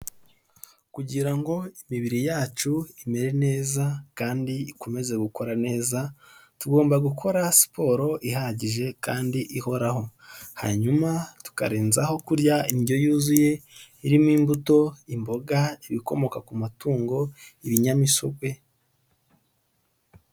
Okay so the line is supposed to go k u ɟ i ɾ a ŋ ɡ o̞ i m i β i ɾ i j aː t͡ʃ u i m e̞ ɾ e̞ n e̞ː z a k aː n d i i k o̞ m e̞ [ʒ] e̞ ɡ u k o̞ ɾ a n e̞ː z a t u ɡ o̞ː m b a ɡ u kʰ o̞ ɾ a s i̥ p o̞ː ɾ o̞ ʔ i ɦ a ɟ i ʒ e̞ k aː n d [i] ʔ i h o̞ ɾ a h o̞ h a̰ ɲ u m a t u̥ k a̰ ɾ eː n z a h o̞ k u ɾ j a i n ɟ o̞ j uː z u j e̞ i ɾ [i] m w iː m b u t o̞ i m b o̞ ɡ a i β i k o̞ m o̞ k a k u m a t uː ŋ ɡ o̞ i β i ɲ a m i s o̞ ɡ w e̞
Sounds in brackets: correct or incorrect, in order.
incorrect: z, correct, correct

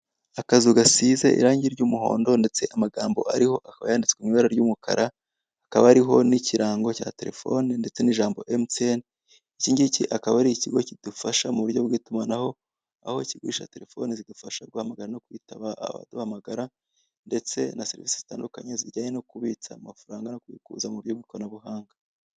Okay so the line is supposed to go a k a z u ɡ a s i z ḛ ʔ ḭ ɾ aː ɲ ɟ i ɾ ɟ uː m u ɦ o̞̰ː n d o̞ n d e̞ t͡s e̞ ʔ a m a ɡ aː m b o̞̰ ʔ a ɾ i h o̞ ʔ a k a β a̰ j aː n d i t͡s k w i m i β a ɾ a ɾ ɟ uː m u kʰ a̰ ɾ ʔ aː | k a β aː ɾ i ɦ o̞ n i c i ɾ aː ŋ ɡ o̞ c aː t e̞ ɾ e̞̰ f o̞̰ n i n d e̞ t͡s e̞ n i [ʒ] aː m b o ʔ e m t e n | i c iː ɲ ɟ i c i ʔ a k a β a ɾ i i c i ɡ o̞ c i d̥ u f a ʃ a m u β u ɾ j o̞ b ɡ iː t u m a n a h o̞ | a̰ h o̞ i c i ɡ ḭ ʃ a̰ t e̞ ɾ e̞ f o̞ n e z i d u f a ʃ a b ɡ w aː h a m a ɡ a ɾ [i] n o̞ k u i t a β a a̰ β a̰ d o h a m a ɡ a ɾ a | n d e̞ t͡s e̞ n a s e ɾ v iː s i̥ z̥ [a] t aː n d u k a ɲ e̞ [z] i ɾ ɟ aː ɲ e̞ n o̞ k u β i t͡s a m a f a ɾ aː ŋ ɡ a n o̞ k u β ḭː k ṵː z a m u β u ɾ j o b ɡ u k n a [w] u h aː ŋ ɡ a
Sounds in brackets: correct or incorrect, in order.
correct, incorrect: a, incorrect: i, correct, incorrect: β

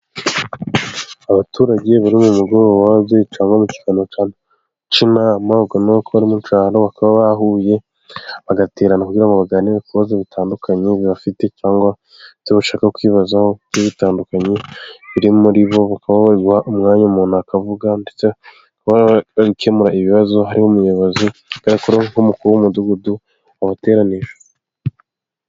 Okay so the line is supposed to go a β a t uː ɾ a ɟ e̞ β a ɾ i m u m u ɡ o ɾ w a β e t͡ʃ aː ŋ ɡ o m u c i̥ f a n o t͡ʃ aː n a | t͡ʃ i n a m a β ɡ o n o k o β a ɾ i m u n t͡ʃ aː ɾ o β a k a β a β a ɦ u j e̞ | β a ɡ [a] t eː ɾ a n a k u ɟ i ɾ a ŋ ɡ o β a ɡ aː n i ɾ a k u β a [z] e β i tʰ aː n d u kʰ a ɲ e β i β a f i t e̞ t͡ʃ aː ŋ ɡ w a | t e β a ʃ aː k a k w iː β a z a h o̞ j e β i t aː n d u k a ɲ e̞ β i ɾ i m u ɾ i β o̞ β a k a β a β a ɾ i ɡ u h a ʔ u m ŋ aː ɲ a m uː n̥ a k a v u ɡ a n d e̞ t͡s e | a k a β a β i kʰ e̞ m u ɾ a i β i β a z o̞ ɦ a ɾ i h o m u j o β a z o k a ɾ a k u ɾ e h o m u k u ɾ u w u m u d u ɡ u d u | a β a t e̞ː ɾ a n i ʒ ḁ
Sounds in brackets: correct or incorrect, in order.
correct, correct

